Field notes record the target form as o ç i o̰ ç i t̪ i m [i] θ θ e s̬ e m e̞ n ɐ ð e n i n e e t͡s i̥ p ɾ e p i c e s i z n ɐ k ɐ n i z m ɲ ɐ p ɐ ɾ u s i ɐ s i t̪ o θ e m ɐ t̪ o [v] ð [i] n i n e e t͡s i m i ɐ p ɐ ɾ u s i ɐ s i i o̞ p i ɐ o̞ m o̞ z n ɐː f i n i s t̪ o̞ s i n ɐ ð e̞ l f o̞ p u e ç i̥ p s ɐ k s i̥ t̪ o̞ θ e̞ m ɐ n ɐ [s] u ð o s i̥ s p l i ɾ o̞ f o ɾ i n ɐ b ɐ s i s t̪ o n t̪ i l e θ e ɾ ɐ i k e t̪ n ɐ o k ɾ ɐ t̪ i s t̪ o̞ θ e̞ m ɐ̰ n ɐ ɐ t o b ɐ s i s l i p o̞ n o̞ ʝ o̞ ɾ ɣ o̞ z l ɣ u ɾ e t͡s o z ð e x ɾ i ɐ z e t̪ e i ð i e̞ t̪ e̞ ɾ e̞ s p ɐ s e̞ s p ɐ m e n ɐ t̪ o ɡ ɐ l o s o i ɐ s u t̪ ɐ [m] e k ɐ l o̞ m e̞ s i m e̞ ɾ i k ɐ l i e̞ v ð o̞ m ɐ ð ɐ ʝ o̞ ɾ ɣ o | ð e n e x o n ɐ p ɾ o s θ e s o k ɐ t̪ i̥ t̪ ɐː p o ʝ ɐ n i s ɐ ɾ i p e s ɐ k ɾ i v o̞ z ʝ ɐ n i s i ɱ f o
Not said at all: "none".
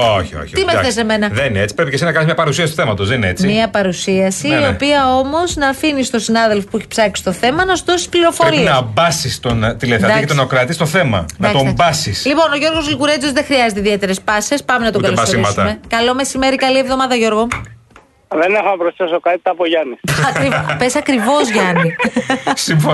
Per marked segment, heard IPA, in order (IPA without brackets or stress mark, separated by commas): e, z, e, s, m